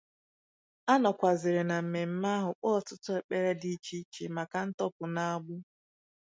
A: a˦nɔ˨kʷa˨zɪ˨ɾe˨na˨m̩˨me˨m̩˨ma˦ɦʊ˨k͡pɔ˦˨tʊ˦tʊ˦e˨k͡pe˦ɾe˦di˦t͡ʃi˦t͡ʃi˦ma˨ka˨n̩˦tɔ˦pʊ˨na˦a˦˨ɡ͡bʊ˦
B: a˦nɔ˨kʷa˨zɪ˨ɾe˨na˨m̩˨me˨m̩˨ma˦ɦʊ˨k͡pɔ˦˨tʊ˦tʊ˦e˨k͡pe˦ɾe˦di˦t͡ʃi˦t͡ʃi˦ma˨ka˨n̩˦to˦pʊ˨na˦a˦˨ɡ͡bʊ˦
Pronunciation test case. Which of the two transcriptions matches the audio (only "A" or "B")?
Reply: A